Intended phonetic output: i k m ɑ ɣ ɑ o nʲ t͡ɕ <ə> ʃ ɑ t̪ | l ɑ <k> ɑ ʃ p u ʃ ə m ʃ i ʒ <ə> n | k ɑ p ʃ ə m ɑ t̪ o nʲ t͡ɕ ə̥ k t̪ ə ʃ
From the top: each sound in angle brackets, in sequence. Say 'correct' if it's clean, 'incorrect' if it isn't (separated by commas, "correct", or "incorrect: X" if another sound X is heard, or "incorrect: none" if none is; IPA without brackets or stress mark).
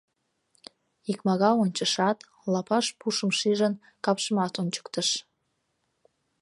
correct, incorrect: p, correct